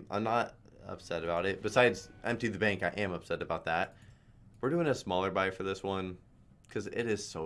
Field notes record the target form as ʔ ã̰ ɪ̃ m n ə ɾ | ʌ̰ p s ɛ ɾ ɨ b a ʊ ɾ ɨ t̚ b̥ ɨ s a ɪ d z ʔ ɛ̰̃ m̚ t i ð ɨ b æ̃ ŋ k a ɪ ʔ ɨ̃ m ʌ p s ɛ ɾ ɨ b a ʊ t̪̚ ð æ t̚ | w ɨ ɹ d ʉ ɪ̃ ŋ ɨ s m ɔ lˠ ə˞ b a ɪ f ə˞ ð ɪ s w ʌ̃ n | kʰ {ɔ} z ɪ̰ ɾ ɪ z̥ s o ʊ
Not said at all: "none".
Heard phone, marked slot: ʌ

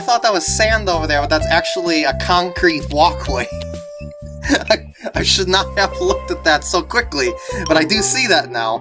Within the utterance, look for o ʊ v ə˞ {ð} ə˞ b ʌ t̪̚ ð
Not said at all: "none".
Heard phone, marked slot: ð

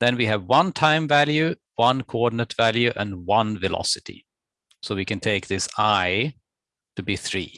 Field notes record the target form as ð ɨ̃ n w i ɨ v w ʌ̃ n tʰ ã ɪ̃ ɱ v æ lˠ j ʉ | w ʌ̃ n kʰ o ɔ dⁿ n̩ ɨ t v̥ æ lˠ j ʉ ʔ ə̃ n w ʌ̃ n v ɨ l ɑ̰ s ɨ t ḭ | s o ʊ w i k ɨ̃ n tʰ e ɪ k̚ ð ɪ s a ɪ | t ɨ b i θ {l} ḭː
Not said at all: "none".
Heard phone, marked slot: ɹ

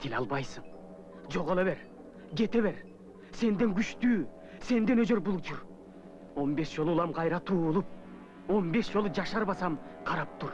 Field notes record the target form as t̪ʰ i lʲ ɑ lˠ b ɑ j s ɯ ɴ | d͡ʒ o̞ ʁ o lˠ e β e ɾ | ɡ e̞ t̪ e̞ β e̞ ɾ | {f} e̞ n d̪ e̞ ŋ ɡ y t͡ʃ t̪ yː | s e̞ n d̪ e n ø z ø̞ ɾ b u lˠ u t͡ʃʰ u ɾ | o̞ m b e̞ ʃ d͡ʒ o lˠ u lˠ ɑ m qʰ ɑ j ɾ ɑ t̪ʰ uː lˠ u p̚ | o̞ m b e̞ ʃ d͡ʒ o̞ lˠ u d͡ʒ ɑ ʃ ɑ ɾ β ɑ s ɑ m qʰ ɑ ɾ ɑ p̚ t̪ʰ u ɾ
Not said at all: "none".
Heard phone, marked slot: s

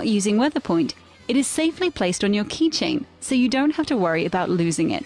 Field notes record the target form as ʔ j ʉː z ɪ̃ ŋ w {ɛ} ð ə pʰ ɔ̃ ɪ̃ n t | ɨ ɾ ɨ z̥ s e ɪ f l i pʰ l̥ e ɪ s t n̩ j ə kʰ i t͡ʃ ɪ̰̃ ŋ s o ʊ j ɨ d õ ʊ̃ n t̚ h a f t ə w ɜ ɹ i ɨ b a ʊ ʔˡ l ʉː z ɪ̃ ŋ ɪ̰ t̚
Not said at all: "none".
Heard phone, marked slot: ɛ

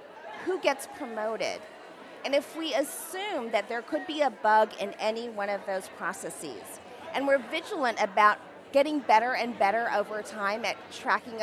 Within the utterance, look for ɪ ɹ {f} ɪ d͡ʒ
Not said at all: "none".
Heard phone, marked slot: v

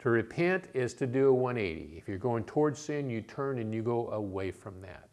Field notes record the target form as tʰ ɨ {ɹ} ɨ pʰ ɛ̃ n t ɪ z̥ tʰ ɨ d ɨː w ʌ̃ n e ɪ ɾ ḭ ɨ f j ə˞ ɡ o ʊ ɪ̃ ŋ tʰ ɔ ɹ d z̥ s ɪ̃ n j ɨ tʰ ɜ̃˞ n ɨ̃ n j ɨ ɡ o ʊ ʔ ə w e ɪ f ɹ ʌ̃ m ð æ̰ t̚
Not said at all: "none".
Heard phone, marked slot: ɹ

